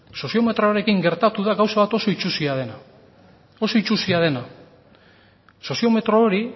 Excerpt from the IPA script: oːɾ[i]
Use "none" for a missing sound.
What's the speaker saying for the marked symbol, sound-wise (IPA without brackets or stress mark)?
i